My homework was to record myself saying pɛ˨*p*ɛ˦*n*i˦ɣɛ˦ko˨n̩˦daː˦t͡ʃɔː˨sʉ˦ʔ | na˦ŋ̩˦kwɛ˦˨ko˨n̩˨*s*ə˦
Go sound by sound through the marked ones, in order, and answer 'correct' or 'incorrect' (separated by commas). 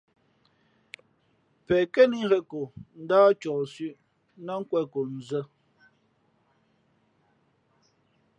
incorrect, correct, incorrect